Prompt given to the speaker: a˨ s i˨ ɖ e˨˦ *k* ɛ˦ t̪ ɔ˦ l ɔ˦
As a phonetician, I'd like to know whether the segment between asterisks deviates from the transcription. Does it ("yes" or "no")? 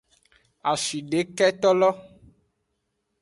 no